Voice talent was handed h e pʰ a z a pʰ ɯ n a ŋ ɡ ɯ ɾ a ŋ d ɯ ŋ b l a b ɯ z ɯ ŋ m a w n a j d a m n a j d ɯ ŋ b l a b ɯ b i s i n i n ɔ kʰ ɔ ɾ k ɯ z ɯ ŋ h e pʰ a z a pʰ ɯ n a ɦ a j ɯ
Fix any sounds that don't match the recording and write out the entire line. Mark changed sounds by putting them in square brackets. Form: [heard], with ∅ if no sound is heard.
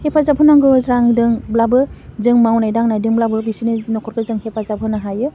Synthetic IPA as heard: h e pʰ a z a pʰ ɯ n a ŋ ɡ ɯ ɾ a ŋ d ɯ ŋ b l a b ɯ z ɯ ŋ m a w n a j d a [ŋ] n a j d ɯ ŋ b l a b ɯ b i s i n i n ɔ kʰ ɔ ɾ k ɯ z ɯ ŋ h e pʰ a z a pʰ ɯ n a ɦ a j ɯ